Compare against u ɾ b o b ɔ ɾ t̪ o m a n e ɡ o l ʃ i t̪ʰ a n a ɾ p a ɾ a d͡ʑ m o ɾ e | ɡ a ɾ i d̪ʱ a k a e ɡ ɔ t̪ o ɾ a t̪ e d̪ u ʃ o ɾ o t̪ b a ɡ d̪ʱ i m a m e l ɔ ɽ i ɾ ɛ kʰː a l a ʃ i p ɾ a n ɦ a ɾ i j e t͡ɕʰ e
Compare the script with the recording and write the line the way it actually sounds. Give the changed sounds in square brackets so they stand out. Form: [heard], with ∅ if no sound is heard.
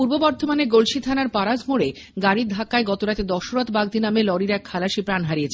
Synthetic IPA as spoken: u ɾ b o b ɔ ɾ t̪ o m a n e ɡ o l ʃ i t̪ʰ a n a ɾ p a ɾ a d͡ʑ m o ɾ e | ɡ a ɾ i d̪ʱ a k a e ɡ ɔ t̪ o ɾ a t̪ e d̪ [ɔ] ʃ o ɾ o t̪ b a ɡ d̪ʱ i [n] a m e l ɔ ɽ i ɾ ɛ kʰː a l a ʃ i p ɾ a n ɦ a ɾ i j e t͡ɕʰ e